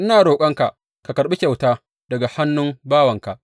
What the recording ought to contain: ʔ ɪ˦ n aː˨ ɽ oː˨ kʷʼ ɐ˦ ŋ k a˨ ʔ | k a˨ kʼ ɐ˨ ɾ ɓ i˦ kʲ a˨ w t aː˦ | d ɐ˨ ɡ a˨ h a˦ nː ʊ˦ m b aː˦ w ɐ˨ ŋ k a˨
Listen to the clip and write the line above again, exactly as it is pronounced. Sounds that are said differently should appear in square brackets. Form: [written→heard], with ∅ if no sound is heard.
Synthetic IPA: ʔ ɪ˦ n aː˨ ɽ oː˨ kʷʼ ɐ˦ ŋ k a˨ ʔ | k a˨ [kʼ→k] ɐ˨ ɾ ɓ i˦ kʲ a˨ w t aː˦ | d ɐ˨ ɡ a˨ h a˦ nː ʊ˦ m b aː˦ w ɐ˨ ŋ k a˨

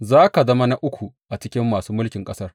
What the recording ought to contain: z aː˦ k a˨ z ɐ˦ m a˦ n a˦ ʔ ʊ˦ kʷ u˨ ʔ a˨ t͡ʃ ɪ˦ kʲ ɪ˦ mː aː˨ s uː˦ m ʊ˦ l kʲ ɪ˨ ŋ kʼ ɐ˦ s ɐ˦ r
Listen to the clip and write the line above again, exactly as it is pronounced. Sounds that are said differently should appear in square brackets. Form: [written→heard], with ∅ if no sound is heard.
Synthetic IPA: z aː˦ k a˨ z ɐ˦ m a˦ n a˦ ʔ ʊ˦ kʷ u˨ ʔ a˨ t͡ʃ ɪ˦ kʲ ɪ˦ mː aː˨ s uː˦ m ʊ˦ l kʲ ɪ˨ ŋ kʼ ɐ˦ s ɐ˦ r

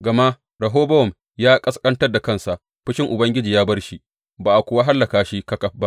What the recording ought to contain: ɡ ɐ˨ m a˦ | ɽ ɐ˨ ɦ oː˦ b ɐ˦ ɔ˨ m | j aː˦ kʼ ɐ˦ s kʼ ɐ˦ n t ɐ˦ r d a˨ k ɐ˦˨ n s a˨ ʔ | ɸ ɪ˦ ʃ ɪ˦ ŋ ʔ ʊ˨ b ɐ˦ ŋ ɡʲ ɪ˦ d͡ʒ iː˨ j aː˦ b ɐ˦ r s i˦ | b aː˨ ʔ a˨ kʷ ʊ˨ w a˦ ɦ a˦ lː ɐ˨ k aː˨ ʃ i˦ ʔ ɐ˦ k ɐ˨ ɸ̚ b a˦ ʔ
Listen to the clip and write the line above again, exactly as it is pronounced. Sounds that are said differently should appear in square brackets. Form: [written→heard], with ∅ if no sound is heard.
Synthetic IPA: ɡ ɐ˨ m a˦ | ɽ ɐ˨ ɦ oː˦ b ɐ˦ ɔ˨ m | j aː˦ kʼ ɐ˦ s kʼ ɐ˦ n t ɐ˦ r d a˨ k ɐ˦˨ n s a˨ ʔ | ɸ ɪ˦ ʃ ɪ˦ ŋ ʔ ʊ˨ b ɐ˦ ŋ ɡʲ ɪ˦ d͡ʒ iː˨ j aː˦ b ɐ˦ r [s→ʃ] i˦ | b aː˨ ʔ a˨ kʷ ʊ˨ w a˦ ɦ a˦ lː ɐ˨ k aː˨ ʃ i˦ [ʔ→k] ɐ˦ k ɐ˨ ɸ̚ b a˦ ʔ

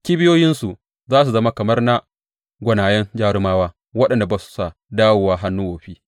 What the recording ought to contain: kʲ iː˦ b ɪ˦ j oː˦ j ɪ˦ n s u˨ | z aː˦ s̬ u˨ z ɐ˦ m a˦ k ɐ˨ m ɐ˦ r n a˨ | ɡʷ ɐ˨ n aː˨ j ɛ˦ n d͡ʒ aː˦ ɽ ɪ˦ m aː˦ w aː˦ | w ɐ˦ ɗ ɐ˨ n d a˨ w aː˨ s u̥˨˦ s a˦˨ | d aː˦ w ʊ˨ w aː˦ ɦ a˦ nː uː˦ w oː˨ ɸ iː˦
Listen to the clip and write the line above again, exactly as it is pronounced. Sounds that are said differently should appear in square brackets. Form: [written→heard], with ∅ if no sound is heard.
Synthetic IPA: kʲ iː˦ b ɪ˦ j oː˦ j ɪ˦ n s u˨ | z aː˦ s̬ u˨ z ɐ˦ m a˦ k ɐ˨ m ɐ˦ r n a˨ | ɡʷ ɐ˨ n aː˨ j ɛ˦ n d͡ʒ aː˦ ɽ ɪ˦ m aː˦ w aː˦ | w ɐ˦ ɗ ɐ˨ n d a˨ [w→b] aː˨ s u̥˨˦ s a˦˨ | d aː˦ w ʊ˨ w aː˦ ɦ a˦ nː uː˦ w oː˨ ɸ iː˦

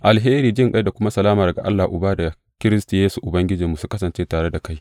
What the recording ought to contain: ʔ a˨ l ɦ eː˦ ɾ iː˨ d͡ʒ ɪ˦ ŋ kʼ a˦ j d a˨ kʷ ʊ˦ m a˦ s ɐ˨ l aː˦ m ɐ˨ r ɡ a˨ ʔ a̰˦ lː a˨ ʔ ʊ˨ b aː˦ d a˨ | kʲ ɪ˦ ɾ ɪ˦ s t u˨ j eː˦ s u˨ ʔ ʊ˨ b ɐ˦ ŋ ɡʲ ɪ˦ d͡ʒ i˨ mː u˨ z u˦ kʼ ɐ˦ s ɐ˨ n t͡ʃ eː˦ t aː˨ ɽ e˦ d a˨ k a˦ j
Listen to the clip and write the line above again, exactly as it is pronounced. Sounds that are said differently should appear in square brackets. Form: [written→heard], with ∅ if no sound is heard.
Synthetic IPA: ʔ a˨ l ɦ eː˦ ɾ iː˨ d͡ʒ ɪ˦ ŋ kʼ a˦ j d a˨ kʷ ʊ˦ m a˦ s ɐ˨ l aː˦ m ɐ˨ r ɡ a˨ ʔ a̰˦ lː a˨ ʔ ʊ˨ b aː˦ d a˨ | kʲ ɪ˦ ɾ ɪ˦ s t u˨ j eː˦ s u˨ ʔ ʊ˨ b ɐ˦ ŋ ɡʲ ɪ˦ d͡ʒ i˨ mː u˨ [z→s] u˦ [kʼ→k] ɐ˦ s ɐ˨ n t͡ʃ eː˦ t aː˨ ɽ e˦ d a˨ k a˦ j

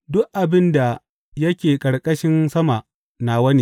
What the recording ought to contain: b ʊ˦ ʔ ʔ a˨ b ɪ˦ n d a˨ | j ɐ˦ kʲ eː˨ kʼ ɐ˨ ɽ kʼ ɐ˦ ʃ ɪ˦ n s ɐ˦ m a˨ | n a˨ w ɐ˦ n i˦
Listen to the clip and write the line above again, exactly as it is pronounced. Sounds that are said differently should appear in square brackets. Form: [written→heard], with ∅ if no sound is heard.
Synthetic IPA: [b→d] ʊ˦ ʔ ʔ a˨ b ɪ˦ n d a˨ | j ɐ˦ kʲ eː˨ kʼ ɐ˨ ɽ kʼ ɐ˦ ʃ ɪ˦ n s ɐ˦ m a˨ | n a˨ w ɐ˦ n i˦

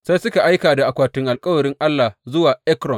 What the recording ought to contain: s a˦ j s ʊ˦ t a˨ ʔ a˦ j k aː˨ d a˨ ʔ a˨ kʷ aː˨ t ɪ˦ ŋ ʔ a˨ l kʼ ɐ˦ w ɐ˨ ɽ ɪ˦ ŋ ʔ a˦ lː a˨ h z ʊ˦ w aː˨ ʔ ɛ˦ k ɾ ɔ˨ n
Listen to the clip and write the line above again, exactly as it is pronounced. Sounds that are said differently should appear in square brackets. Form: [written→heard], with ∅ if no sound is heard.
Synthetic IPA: s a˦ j s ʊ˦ [t→k] a˨ ʔ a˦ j k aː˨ d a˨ ʔ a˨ kʷ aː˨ t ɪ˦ ŋ ʔ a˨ l kʼ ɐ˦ w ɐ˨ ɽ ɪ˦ ŋ ʔ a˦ lː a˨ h z ʊ˦ w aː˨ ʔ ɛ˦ k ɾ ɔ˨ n

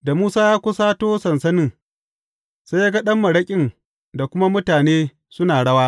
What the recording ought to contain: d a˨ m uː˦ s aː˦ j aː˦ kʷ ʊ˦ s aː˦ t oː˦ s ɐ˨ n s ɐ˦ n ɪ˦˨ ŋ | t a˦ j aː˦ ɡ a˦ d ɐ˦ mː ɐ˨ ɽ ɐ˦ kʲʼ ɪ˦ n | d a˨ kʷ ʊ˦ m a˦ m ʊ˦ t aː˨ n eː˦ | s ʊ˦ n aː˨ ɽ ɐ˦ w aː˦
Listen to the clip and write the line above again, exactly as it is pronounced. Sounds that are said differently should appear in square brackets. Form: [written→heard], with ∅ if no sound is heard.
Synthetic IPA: d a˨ m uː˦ s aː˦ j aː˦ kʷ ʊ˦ s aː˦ t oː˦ s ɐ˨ n s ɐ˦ n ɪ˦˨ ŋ | [t→s] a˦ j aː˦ ɡ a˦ [d→ɗ] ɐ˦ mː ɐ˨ ɽ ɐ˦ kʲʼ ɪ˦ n | d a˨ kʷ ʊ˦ m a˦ m ʊ˦ t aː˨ n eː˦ | s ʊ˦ n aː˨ ɽ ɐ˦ w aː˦

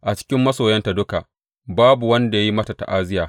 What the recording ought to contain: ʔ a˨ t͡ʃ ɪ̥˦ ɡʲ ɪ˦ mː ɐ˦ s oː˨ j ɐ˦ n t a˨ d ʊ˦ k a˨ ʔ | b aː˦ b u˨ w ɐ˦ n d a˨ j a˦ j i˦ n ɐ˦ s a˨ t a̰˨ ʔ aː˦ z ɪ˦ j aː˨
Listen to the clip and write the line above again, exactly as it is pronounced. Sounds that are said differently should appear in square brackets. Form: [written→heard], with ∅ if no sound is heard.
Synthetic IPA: ʔ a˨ t͡ʃ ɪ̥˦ [ɡʲ→kʲ] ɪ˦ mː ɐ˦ s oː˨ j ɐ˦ n t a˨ d ʊ˦ k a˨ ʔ | b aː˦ b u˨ w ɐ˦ n d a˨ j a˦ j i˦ [n→m] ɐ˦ [s→t] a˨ t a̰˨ ʔ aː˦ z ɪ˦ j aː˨

